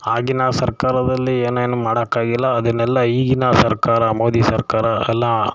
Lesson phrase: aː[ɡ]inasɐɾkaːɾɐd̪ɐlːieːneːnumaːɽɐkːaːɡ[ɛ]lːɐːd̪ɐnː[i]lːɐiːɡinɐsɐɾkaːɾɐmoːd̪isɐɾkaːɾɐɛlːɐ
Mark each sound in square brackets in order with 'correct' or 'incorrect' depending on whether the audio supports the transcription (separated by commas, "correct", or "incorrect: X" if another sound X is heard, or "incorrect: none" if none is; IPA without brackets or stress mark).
correct, incorrect: i, incorrect: ɛ